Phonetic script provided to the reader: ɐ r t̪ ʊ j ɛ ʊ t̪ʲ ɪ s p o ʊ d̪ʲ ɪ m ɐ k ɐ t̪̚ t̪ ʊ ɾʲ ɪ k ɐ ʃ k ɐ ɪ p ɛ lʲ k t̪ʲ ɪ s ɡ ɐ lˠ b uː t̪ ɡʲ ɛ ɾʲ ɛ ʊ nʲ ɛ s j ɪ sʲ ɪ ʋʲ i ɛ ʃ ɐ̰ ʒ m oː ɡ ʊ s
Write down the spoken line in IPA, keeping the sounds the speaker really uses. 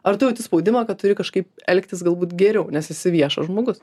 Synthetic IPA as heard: ɐ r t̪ ʊ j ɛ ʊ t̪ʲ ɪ s p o ʊ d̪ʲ ɪ m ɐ k ɐ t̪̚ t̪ ʊ ɾʲ ɪ k ɐ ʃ k ɐ ɪ p ɛ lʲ k t̪ʲ ɪ s ɡ ɐ lˠ b uː t̪ ɡʲ ɛ ɾʲ ɛ ʊ nʲ ɛ s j ɪ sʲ ɪ ʋʲ i ɛ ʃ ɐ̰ ʒ m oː ɡ ʊ s